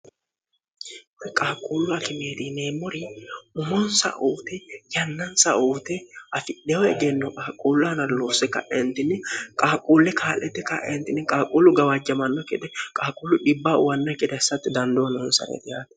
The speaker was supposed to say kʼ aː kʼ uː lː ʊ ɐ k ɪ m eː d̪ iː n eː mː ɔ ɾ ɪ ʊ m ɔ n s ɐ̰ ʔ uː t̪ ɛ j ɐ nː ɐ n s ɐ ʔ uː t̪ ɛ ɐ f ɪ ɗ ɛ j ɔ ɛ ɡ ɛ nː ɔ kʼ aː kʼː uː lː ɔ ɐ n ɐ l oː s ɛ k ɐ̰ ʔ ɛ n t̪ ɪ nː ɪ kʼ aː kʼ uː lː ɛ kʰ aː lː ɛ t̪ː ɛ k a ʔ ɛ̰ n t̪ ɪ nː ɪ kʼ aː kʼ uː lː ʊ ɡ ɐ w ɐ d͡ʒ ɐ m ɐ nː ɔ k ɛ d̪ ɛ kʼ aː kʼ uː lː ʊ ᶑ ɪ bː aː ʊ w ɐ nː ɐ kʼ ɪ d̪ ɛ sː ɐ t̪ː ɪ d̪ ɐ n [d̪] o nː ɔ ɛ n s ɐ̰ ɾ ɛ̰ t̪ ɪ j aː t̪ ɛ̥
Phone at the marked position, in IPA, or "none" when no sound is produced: d̪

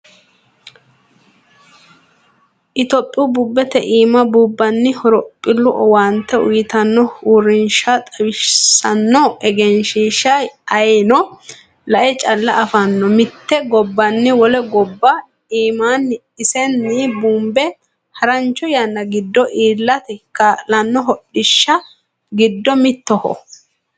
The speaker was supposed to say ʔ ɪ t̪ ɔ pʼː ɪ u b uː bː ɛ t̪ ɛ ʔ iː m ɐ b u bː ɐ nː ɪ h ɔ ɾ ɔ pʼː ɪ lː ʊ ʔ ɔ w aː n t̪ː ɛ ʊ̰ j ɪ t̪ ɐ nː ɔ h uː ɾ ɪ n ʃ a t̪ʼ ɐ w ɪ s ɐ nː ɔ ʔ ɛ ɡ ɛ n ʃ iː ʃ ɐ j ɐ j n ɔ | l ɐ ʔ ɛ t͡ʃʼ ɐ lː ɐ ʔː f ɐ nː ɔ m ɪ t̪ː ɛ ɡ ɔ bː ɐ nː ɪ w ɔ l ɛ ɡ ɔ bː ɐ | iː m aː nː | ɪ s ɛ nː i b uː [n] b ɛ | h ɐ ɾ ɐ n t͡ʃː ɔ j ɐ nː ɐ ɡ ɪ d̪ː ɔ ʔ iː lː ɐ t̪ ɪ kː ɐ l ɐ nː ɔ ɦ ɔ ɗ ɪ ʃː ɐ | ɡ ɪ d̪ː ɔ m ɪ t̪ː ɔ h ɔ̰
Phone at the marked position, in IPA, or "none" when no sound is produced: m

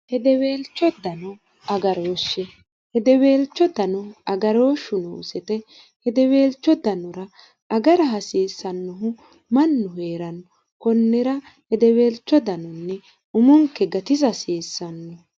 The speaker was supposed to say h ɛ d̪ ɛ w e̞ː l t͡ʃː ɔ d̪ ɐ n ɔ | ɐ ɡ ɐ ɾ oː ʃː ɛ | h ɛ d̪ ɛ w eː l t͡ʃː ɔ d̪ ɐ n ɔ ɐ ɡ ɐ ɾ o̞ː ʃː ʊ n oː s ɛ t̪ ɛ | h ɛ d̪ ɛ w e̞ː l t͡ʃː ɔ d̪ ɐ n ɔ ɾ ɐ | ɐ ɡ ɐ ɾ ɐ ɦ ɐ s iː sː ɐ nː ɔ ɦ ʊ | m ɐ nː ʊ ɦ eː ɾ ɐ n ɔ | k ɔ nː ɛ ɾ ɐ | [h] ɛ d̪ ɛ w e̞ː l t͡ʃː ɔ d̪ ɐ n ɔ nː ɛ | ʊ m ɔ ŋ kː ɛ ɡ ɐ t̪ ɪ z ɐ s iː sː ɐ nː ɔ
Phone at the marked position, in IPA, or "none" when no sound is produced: h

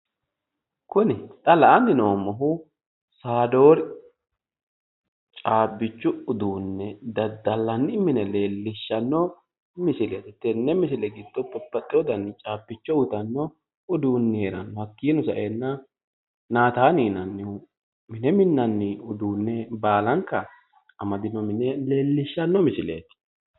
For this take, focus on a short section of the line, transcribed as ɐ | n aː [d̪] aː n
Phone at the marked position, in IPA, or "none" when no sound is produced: t̪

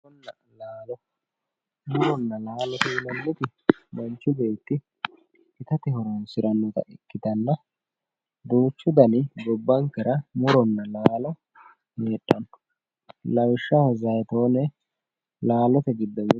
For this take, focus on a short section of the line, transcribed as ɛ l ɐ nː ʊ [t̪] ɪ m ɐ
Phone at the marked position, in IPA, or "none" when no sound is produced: t̪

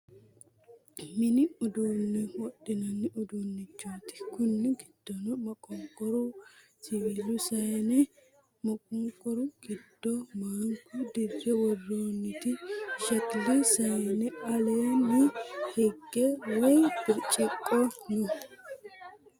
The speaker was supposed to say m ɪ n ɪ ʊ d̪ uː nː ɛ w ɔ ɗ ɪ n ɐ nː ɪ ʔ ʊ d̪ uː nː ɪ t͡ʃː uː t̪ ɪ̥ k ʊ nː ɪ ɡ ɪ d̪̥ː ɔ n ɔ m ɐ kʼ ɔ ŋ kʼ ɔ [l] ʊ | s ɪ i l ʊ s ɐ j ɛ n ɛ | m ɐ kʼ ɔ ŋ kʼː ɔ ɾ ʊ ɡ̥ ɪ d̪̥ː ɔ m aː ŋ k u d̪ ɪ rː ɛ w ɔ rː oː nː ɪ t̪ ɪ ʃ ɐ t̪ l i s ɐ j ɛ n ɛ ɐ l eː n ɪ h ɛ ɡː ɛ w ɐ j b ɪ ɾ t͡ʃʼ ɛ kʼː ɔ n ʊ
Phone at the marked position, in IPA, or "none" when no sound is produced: ɾ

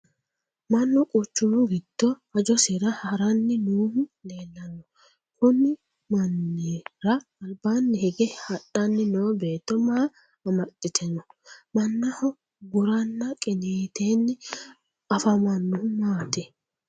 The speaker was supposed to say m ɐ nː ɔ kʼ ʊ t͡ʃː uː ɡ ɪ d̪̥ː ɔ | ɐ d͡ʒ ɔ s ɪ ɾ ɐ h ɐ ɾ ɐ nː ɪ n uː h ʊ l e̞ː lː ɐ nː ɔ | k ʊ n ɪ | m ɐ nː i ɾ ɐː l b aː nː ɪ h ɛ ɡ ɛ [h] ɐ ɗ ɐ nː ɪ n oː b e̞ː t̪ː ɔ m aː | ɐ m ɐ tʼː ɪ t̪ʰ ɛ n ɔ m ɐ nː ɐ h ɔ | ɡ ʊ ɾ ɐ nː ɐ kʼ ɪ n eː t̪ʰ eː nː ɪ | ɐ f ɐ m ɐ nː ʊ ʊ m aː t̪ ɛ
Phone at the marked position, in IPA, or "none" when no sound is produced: h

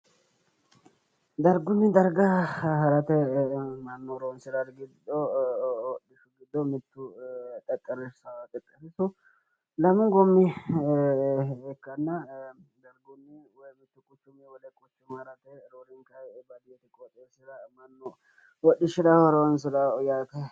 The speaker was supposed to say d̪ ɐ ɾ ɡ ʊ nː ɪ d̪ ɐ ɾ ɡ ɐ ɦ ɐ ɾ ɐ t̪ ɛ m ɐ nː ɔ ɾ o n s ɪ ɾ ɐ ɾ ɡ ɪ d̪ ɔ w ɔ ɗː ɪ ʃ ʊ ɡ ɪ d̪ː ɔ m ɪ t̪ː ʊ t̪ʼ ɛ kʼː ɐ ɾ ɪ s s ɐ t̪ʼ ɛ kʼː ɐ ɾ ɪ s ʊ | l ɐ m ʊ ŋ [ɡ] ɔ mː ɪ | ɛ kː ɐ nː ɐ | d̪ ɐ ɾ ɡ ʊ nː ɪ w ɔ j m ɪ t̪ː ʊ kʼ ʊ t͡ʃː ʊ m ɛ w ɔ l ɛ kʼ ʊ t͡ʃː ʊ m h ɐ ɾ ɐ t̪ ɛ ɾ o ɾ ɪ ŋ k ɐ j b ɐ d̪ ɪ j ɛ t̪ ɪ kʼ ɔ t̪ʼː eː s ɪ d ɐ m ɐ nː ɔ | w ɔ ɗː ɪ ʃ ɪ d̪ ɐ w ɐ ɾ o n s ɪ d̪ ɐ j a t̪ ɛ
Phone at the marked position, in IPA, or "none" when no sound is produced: ɡ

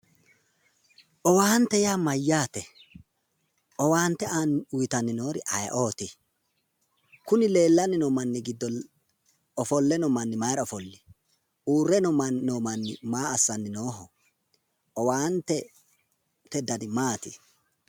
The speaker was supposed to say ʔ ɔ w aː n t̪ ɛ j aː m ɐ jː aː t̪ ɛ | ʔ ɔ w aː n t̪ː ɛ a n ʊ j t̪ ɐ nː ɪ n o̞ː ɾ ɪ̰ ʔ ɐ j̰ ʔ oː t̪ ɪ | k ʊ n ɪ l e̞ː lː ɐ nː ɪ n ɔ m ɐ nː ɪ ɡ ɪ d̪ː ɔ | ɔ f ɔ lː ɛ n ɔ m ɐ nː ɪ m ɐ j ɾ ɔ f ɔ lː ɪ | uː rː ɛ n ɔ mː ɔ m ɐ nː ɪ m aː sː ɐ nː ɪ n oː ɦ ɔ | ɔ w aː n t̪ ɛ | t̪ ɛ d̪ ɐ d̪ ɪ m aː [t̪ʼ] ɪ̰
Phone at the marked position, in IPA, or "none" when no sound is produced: t̪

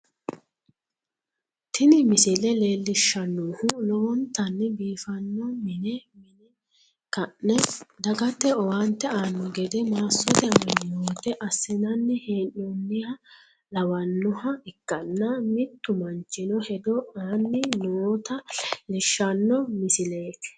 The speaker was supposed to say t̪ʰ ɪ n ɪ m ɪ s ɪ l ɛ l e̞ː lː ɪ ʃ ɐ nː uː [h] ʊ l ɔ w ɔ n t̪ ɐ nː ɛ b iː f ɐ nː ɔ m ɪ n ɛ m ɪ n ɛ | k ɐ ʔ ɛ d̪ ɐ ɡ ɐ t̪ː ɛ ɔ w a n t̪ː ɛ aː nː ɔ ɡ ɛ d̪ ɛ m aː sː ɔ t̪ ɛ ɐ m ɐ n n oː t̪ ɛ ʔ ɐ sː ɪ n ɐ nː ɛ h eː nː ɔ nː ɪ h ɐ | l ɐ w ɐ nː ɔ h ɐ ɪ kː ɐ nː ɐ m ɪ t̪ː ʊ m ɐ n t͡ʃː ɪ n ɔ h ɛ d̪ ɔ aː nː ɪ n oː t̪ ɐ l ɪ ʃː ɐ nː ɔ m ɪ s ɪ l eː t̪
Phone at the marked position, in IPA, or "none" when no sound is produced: h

